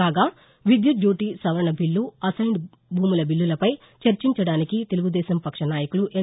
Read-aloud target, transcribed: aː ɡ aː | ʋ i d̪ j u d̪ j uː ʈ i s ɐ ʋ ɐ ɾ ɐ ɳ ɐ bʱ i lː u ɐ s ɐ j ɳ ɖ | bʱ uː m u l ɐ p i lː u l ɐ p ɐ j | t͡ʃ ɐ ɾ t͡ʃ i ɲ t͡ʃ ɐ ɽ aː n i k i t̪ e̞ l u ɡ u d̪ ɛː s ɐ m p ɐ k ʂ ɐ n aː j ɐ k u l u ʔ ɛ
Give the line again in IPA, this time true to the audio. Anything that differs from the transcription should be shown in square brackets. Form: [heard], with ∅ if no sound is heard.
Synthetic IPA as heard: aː ɡ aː | ʋ i d̪ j u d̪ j uː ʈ i s ɐ ʋ ɐ ɾ ɐ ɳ ɐ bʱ i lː u ɐ s ɐ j ɳ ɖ | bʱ uː m u l ɐ [b] i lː u l ɐ p ɐ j | t͡ʃ ɐ ɾ t͡ʃ i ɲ t͡ʃ ɐ ɽ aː n i k i t̪ e̞ l u ɡ u d̪ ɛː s ɐ m p ɐ k ʂ ɐ n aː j ɐ k u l u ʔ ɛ